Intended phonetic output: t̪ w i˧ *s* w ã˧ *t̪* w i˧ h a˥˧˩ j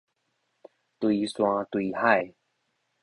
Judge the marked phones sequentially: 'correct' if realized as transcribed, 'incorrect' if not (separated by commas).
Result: correct, correct